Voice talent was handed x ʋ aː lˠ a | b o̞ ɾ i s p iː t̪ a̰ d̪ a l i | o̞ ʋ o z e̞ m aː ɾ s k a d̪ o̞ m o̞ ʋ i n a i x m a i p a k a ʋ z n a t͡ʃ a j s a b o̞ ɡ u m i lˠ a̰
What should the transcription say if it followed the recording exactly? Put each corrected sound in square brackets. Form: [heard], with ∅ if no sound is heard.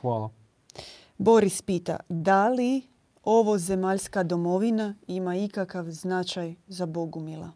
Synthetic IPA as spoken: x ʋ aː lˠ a | b o̞ ɾ i s p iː t̪ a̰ d̪ a l i | o̞ ʋ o z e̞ m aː [ʎ] s k a d̪ o̞ m o̞ ʋ i n a i [∅] m a i [k] a k a ʋ z n a t͡ʃ a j [z] a b o̞ ɡ u m i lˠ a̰